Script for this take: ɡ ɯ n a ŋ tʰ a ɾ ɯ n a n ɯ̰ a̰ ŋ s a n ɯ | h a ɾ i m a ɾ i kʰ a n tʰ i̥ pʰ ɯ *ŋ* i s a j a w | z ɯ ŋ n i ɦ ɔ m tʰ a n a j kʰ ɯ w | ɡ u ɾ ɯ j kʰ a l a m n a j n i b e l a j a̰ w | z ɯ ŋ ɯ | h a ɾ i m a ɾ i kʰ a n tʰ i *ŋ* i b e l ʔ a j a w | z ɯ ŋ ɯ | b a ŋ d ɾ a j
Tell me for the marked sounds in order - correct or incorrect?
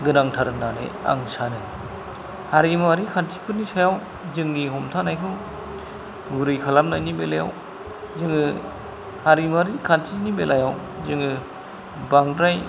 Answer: incorrect: n, incorrect: n

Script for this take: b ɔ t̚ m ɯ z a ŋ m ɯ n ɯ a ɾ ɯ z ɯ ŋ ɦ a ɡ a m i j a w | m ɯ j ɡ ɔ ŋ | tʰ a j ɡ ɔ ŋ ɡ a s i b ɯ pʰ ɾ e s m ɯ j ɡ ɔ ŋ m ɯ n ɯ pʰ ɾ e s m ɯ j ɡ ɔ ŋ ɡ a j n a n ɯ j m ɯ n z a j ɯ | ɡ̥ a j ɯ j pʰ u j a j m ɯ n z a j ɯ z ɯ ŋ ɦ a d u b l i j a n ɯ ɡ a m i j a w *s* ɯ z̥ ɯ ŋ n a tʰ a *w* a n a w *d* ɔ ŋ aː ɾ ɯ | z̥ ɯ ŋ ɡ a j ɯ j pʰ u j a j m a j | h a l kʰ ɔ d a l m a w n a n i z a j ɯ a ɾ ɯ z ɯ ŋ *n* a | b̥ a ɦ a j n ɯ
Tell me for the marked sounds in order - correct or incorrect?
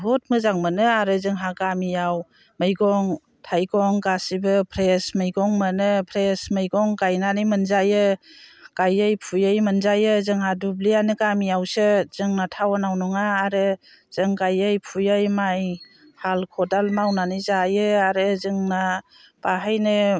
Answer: correct, correct, incorrect: n, correct

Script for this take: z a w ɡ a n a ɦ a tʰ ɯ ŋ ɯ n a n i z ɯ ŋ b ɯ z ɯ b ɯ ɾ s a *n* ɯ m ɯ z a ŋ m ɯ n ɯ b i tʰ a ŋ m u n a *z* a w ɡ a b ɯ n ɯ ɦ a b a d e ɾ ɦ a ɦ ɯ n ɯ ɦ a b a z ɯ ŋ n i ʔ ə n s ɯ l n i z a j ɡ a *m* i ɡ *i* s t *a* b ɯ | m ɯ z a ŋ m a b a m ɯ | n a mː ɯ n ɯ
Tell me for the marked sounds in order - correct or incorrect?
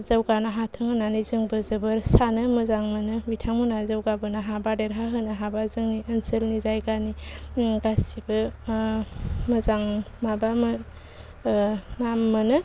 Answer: correct, correct, incorrect: n, incorrect: a, incorrect: i

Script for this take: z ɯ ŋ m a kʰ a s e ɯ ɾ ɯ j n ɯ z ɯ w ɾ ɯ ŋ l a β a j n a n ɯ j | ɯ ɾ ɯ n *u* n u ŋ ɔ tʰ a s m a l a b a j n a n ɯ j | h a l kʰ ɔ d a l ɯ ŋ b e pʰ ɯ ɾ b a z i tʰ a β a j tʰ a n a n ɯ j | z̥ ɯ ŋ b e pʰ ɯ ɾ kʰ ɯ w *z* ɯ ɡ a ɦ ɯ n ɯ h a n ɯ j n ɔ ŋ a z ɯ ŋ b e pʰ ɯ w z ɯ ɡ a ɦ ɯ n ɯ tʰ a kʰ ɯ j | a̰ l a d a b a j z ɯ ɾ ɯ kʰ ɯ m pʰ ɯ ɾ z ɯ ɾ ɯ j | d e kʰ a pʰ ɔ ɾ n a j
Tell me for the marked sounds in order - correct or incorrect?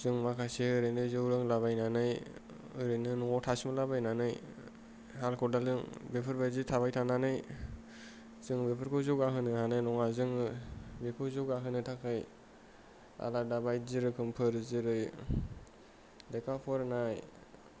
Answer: incorrect: ɯ, correct

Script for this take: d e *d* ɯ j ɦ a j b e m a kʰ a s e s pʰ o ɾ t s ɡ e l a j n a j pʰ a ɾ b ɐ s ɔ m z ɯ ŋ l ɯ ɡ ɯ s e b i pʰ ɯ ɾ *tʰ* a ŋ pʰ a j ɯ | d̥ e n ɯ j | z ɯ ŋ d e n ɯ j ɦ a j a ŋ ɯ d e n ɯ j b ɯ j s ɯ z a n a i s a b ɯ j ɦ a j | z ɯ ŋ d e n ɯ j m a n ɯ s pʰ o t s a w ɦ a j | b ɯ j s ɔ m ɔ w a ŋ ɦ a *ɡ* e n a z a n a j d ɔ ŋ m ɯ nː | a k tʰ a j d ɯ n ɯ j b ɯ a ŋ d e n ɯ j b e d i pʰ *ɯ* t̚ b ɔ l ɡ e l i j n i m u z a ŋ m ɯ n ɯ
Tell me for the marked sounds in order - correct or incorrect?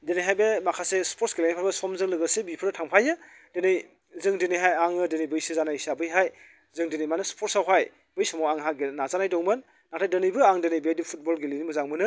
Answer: incorrect: n, correct, correct, incorrect: u

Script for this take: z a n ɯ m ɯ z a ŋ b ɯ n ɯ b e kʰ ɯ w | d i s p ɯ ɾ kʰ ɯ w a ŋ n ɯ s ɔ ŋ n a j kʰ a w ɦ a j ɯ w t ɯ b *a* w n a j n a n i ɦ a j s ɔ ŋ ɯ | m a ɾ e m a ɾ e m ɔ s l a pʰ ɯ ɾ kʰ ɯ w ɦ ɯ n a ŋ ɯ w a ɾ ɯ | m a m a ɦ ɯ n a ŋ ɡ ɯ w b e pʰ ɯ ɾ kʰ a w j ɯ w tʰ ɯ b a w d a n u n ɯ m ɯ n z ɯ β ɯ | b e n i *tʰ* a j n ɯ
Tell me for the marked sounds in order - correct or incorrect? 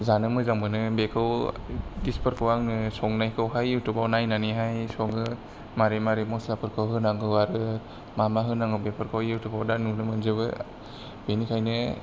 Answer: correct, incorrect: kʰ

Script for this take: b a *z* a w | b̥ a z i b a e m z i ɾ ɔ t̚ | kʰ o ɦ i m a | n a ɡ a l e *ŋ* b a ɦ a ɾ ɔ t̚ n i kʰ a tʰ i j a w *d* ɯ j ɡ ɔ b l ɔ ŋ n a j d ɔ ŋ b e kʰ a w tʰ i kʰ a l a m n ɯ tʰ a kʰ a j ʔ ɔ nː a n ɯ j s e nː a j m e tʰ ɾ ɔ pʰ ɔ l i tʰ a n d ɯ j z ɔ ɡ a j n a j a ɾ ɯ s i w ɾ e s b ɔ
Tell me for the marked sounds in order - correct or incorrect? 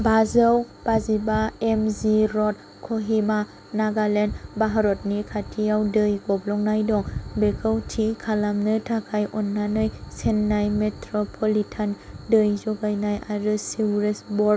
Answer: correct, incorrect: n, correct

